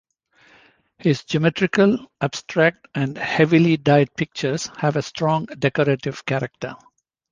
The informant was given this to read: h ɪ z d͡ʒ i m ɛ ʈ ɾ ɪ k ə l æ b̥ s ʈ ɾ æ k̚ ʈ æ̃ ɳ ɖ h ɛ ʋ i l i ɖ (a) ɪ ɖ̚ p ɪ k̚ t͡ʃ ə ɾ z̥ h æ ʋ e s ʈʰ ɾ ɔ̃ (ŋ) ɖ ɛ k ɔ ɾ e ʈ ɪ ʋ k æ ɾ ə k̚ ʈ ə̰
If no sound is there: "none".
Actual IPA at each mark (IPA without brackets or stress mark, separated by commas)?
a, ŋ